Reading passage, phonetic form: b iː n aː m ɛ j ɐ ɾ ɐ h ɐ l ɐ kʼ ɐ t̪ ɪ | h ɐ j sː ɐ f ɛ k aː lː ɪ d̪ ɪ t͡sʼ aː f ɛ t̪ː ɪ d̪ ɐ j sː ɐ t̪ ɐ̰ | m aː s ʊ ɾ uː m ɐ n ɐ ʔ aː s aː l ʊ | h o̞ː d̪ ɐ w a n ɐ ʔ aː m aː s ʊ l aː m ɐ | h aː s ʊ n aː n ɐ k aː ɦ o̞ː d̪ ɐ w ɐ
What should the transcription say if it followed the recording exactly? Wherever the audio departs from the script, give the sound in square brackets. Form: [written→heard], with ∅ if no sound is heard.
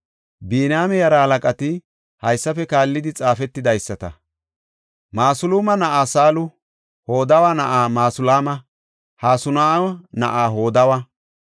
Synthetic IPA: b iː n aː m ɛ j ɐ ɾ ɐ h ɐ l ɐ kʼ ɐ t̪ ɪ | h ɐ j sː ɐ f ɛ k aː lː ɪ d̪ ɪ t͡sʼ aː f ɛ t̪ː ɪ d̪ ɐ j sː ɐ t̪ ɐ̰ | m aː s ʊ [ɾ→l] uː m ɐ n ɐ ʔ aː s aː l ʊ | h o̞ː d̪ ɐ w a n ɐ ʔ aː m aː s ʊ l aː m ɐ | h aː s ʊ n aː n ɐ [k→ʔ] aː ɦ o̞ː d̪ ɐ w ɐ